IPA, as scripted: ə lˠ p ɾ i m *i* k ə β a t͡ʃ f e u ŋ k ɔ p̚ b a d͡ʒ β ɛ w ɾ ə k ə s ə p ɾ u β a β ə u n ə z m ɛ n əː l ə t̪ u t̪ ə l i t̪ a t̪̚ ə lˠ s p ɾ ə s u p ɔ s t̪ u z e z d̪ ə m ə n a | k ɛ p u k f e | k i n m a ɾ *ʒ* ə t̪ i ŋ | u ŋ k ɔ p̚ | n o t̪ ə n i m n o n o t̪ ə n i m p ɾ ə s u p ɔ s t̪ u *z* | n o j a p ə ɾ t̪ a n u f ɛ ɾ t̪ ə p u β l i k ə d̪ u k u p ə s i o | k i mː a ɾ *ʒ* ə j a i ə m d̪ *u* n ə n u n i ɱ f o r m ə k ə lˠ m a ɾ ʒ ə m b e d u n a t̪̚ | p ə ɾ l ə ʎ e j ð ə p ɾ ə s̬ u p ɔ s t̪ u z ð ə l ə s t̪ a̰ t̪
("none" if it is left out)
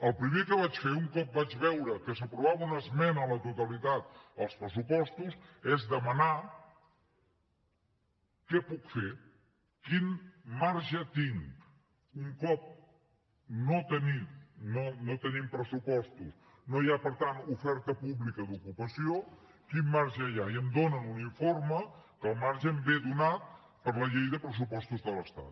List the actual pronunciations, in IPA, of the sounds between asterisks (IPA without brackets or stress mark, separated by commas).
e, ʒ, s, ʒ, o